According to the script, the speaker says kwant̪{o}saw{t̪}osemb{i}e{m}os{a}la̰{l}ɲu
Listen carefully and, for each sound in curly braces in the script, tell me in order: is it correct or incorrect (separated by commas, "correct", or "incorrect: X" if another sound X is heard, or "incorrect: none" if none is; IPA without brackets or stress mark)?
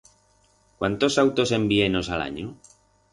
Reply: correct, correct, correct, incorrect: n, correct, incorrect: none